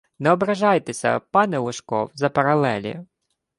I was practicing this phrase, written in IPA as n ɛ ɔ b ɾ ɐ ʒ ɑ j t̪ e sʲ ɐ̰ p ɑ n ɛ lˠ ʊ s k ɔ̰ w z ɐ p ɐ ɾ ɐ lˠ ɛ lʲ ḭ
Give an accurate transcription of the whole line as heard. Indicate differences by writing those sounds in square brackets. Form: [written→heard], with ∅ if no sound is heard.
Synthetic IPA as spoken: n ɛ ɔ b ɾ ɐ ʒ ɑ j t̪ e sʲ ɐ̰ p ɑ n ɛ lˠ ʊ [s→ʃ] k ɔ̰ w z ɐ p ɐ ɾ ɐ lˠ ɛ lʲ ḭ